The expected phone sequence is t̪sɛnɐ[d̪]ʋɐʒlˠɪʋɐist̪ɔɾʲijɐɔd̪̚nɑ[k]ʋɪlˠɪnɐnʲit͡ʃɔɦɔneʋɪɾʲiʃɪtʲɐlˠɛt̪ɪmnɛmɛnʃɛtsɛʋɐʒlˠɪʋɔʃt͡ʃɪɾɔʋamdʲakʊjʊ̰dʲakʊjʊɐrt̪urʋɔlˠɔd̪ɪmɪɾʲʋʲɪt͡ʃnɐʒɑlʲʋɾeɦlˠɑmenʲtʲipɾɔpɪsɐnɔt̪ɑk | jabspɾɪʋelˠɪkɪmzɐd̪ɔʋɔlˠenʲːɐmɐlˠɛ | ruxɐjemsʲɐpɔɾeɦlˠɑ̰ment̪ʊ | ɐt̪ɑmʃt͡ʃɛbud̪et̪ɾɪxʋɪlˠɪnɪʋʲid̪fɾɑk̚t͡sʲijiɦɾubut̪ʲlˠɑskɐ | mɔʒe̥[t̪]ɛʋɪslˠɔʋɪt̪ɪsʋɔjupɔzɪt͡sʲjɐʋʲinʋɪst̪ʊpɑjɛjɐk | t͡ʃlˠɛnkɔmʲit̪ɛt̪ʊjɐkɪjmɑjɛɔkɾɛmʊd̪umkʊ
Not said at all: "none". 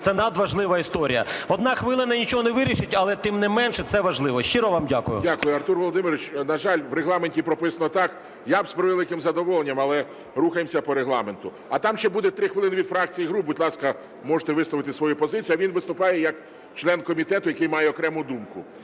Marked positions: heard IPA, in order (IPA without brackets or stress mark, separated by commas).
d̪, x, t̪